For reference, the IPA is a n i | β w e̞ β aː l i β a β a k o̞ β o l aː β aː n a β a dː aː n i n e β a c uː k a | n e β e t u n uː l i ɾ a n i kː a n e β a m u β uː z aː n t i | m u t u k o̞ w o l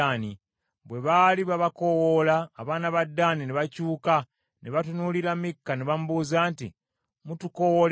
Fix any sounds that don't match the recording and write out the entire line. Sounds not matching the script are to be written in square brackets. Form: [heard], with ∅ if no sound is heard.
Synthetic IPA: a n i | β w e̞ β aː l i β a β a k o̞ [w] o l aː β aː n a β a dː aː n i n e β a c uː k a | n e β [a] t u n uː l i ɾ a [m] i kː a n e β a m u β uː z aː n t i | m u t u k o̞ w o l